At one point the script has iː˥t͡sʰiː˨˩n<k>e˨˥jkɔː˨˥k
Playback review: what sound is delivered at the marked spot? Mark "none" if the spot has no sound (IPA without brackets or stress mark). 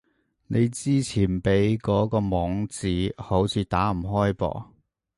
p